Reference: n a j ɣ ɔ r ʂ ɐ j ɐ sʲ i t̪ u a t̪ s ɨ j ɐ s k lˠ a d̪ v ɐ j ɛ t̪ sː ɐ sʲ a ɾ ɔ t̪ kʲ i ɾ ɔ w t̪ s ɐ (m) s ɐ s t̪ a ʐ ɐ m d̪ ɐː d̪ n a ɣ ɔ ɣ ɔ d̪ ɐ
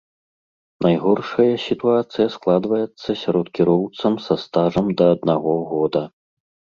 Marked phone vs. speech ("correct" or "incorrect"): correct